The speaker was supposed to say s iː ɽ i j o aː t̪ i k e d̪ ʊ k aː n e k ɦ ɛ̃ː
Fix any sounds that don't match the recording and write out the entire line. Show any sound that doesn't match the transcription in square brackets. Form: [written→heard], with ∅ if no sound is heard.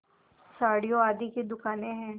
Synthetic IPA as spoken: s [iː→aː] ɽ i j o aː [t̪→d̪] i k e d̪ ʊ k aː n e [k→∅] ɦ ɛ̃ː

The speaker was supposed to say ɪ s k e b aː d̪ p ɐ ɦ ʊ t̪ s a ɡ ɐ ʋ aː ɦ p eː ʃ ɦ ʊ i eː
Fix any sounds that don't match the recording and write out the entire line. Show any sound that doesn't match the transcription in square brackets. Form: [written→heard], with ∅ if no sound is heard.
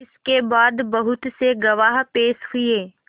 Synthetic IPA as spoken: ɪ s k e b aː d̪ [p→b] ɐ ɦ ʊ t̪ s [a→e] ɡ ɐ ʋ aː ɦ p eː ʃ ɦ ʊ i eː

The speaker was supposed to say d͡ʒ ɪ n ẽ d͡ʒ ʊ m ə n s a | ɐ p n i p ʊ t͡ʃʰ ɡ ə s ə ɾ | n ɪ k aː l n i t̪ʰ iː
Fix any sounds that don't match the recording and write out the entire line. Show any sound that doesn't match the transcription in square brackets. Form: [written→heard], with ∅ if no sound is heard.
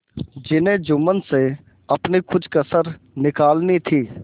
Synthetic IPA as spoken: d͡ʒ ɪ n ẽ d͡ʒ ʊ m ə n s [a→e] | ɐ p n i [p→k] ʊ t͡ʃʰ [ɡ→k] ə s ə ɾ | n ɪ k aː l n i t̪ʰ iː

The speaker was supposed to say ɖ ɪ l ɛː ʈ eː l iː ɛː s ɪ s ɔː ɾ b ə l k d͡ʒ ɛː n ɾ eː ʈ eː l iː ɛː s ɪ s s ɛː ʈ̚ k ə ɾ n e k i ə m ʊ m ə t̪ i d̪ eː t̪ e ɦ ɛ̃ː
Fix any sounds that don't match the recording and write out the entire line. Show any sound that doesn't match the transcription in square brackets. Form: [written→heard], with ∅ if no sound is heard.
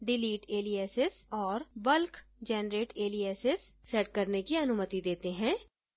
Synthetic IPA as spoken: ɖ ɪ l [ɛː→iː] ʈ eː l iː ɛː s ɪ s ɔː ɾ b ə l k d͡ʒ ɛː n ɾ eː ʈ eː l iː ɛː s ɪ s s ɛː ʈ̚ k ə ɾ n e k i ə [m→n] ʊ m ə t̪ i d̪ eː t̪ e ɦ ɛ̃ː

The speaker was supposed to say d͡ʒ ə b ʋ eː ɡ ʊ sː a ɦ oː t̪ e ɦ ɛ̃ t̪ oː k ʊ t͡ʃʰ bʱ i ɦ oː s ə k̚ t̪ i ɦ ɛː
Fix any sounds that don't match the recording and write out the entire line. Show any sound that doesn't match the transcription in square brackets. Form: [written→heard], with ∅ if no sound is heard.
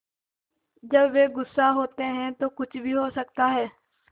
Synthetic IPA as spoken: d͡ʒ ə b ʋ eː ɡ ʊ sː a ɦ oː t̪ e ɦ ɛ̃ t̪ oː k ʊ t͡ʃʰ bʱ i ɦ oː s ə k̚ t̪ [i→a] ɦ ɛː

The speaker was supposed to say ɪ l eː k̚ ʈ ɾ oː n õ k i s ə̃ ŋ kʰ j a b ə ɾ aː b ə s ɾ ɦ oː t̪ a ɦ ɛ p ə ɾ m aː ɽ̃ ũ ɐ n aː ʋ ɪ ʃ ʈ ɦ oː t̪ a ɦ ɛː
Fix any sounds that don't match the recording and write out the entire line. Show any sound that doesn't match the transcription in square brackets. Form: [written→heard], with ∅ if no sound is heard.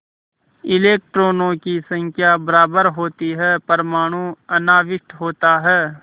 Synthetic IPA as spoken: ɪ l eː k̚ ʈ ɾ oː n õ k i s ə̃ ŋ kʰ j a b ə ɾ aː b ə [s→∅] ɾ ɦ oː t̪ [a→i] ɦ ɛ p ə ɾ m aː ɽ̃ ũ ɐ n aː ʋ ɪ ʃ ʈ ɦ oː t̪ a ɦ ɛː

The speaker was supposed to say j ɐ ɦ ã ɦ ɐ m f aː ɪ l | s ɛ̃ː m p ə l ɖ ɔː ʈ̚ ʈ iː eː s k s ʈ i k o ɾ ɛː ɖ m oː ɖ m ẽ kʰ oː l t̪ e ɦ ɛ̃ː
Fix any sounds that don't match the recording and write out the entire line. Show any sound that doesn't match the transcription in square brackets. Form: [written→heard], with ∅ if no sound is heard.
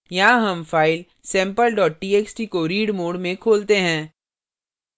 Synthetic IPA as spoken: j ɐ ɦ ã ɦ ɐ m f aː ɪ l | s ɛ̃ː m p ə l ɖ ɔː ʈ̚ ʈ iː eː [s→∅] k s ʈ i k o ɾ [ɛː→iː] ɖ m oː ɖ m ẽ kʰ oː l t̪ e ɦ ɛ̃ː

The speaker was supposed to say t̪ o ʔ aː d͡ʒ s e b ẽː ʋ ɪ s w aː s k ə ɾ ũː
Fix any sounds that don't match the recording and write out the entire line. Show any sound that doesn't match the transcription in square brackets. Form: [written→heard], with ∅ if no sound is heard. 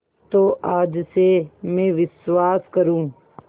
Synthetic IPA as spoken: t̪ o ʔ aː d͡ʒ s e [b→m] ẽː ʋ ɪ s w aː s k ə ɾ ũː

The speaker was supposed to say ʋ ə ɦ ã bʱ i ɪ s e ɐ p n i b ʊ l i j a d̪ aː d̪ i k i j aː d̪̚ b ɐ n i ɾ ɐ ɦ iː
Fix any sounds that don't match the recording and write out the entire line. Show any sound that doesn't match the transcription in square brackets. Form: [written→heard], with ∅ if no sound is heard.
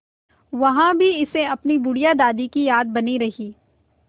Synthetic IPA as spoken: ʋ [ə→ɐ] ɦ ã bʱ i ɪ s e ɐ p n i b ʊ [l→ɽ] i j a d̪ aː d̪ i k i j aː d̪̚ b ɐ n i ɾ ɐ ɦ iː

